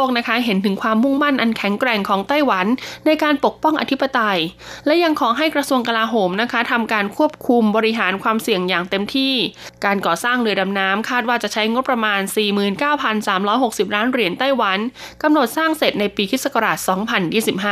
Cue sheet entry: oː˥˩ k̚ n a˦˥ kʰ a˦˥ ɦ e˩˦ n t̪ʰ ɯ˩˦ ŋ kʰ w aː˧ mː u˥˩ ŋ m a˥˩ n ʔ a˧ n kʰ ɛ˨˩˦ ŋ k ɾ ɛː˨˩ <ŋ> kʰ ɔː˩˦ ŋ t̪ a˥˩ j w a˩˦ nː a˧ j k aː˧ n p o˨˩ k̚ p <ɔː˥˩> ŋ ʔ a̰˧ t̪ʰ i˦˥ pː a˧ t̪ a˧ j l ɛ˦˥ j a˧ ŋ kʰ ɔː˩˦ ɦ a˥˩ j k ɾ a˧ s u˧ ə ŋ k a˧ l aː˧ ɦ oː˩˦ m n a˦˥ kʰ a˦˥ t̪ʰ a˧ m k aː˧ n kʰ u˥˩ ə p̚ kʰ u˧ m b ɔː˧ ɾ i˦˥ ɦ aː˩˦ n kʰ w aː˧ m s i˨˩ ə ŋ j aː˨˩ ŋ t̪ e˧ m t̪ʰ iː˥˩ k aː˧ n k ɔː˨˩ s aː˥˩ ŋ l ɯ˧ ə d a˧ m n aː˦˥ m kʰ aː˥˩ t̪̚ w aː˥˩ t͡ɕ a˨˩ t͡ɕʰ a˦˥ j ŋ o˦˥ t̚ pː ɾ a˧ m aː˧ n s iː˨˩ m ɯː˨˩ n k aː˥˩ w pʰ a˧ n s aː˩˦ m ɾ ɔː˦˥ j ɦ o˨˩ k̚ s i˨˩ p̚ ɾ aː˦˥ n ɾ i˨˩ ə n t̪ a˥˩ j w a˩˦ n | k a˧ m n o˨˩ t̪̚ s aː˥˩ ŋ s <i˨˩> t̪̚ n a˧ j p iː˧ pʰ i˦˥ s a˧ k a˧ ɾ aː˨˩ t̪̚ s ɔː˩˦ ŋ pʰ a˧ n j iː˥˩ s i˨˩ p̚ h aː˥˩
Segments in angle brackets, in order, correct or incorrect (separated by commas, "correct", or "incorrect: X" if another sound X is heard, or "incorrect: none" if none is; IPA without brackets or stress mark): correct, incorrect: ɔ˥˩, incorrect: e˨˩